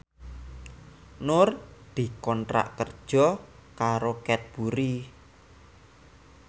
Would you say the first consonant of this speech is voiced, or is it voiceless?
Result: voiced